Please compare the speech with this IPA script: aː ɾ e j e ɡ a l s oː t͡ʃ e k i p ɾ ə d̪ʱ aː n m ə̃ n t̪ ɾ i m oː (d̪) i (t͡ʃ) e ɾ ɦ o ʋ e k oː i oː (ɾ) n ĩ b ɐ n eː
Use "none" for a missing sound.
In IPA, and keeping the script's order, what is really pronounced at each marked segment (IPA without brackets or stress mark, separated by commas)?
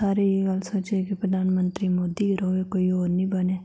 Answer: d̪, none, ɾ